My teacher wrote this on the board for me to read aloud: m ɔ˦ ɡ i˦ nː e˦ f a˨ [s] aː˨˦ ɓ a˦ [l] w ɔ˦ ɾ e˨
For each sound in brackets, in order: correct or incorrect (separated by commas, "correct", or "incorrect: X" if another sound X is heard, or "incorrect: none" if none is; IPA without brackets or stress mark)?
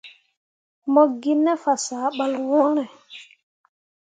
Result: correct, correct